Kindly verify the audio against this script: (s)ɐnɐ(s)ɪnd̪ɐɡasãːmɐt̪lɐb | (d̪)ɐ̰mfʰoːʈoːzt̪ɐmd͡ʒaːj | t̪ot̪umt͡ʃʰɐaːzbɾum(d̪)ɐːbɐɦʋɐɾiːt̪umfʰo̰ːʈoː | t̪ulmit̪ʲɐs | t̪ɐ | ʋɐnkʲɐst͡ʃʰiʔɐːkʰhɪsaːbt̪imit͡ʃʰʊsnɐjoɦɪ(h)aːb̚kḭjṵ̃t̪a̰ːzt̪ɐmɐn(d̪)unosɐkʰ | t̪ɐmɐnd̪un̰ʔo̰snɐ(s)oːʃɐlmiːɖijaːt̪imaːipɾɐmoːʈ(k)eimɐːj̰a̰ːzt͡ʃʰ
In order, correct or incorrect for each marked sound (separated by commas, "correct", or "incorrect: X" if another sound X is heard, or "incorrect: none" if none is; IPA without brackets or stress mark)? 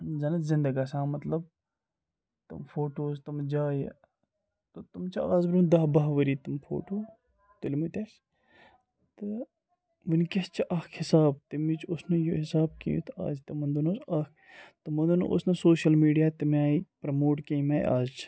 incorrect: z, incorrect: z, incorrect: t̪, correct, incorrect: s, correct, correct, correct